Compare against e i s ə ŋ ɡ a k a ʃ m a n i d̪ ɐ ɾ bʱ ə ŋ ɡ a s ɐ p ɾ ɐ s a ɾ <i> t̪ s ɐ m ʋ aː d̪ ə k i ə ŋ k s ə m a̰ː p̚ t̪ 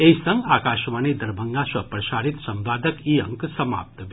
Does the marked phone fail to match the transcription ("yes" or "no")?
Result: no